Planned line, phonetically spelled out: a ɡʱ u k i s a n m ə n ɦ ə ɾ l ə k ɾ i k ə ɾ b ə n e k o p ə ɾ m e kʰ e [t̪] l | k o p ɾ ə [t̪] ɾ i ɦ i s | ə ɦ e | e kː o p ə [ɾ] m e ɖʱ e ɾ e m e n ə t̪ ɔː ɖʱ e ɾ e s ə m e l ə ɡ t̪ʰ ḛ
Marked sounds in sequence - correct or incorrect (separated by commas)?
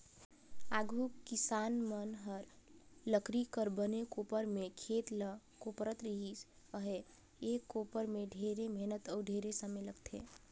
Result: correct, correct, correct